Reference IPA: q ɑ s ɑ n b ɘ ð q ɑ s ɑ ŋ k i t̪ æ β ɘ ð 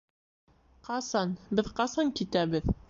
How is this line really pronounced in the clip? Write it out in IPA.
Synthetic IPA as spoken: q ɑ s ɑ n b ɘ ð q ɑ s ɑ ŋ k i t̪ æ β ɘ ð